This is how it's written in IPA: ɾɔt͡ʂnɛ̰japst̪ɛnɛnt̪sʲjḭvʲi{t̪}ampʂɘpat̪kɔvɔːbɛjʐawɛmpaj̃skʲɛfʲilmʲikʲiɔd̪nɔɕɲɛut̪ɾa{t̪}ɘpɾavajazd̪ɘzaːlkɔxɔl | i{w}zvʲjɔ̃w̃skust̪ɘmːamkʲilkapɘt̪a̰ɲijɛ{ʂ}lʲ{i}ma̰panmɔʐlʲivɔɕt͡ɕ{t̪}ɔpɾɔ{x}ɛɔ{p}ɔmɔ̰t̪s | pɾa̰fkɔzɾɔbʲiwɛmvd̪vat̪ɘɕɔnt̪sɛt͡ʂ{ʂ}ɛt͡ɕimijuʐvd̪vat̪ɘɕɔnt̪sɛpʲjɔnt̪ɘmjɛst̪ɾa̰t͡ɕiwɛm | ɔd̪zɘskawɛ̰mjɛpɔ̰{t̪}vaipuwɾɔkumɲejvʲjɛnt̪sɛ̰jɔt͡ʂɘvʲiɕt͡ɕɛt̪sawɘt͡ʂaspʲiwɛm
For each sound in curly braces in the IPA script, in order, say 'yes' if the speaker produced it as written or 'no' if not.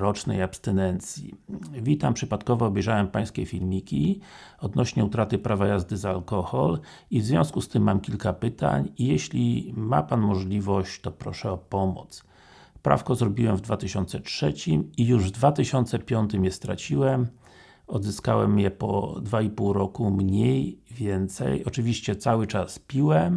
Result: yes, yes, no, no, yes, yes, no, yes, yes, no

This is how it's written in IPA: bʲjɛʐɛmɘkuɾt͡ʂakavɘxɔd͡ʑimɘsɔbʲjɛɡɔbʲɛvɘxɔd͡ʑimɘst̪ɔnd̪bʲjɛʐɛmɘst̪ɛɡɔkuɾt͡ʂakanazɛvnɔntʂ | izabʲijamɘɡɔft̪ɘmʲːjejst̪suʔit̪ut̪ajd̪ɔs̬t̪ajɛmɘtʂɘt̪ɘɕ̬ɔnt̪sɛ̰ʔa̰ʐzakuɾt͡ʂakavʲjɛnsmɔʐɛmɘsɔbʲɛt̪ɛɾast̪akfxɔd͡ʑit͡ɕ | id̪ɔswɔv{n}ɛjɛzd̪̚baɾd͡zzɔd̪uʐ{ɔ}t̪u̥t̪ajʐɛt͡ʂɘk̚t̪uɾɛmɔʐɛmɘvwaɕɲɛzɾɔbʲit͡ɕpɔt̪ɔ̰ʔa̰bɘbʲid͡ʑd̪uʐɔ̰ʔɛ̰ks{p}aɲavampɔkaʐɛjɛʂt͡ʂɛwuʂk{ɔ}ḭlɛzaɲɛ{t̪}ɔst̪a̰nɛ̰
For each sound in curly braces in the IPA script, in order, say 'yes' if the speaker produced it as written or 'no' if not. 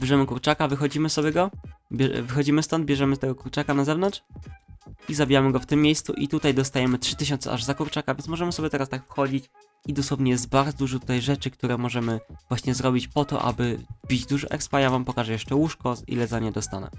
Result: no, yes, yes, yes, no

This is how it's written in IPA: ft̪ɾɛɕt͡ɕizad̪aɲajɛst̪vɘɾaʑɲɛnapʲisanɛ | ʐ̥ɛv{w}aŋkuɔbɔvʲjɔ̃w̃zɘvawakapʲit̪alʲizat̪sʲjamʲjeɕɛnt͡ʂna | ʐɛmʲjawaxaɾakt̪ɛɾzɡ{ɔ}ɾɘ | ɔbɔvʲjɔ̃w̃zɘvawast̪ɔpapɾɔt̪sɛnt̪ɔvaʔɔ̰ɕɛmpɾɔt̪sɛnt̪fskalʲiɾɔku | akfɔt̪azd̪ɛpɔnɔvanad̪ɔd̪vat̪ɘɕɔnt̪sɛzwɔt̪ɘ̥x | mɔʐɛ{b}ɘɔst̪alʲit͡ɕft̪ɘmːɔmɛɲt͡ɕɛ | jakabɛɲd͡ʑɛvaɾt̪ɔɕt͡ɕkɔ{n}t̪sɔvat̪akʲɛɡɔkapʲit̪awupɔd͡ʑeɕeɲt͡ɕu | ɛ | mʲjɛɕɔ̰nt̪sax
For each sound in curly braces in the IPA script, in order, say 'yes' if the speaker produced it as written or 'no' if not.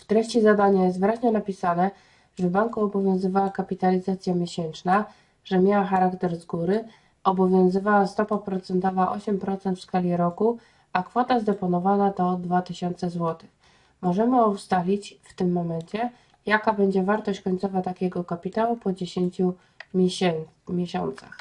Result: no, no, no, no

